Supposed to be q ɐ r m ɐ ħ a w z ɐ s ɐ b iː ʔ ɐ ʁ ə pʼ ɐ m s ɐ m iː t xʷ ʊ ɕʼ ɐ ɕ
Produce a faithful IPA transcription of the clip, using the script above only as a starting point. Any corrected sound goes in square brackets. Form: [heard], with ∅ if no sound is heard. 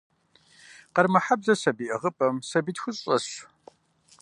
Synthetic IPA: q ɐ r m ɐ ħ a [b] z ɐ s ɐ b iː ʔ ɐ ʁ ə pʼ ɐ m s ɐ [b] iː t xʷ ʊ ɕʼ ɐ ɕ